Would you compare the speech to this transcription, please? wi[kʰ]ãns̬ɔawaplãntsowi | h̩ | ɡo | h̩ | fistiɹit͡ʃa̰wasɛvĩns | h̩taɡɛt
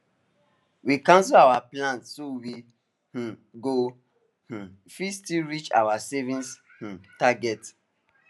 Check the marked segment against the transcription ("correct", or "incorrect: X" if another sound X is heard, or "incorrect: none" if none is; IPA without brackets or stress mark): incorrect: k